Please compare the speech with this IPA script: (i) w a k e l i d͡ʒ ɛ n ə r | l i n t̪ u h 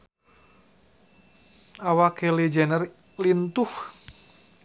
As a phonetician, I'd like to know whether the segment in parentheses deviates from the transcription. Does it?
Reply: yes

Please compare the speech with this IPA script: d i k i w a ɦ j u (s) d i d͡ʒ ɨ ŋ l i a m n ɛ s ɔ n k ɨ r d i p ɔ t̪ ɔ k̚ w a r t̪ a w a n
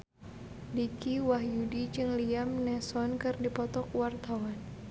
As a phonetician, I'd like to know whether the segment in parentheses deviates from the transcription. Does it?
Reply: yes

